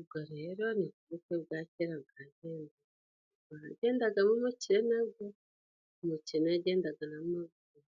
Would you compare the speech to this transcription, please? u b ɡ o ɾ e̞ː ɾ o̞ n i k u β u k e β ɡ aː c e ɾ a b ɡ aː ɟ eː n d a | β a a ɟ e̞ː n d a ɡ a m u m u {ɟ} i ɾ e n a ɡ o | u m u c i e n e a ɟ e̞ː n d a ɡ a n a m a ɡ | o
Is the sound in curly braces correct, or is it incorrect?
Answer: incorrect